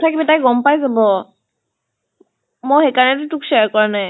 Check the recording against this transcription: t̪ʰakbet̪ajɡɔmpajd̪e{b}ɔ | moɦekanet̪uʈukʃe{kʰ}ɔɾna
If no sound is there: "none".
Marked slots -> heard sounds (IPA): b, k

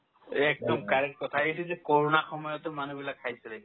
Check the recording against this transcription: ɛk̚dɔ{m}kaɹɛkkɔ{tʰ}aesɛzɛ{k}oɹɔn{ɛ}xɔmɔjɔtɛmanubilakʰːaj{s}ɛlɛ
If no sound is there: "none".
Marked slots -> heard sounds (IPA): m, tʰ, k, a, s

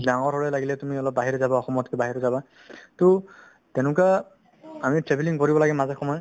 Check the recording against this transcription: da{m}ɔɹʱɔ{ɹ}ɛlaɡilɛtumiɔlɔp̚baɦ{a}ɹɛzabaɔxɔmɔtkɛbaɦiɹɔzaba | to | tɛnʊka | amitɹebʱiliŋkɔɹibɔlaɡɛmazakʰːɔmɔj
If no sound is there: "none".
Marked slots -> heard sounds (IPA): ŋ, ɹ, i

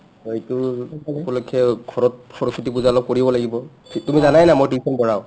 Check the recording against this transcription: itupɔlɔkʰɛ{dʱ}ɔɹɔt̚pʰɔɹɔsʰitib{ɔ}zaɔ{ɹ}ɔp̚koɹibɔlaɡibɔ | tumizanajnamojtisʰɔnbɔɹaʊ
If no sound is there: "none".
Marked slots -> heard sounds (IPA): ɡʱ, u, l

